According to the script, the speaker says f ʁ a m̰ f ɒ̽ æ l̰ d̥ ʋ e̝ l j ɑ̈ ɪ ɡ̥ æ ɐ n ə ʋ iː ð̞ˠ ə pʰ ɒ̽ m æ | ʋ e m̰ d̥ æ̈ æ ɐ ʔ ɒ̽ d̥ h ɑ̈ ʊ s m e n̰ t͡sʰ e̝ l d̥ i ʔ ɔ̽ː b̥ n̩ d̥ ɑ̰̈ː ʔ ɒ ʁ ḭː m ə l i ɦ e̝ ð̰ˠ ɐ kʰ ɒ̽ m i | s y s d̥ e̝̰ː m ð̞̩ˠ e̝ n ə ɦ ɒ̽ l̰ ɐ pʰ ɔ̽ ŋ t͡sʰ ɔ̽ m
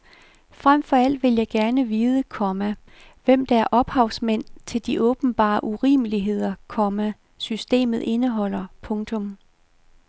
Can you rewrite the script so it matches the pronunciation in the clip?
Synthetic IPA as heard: f ʁ a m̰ f ɒ̽ æ l̰ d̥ ʋ e̝ l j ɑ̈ ɪ ɡ̥ æ ɐ n ə ʋ iː ð̞ˠ ə kʰ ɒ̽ m æ | ʋ e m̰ d̥ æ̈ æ ɐ ʔ ɒ̽ b̥ h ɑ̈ ʊ s m e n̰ t͡sʰ e̝ l d̥ i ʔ ɔ̽ː b̥ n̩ b̥ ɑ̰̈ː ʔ u ʁ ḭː m ə l i ɦ e̝ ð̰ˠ ɐ kʰ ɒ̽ m æ | s y s d̥ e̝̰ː m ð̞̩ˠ e̝ n ə ɦ ɒ̽ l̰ ɐ pʰ ɔ̽ ŋ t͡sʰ ɔ̽ m